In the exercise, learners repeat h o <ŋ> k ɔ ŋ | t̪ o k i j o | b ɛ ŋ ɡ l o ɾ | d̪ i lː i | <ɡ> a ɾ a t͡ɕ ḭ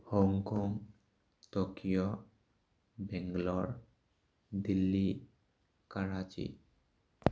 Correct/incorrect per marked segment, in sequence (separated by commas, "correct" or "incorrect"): correct, incorrect